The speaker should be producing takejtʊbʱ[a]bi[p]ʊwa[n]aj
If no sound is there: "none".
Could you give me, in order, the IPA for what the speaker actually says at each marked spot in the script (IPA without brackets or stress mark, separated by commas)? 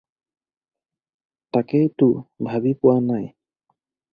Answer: a, p, n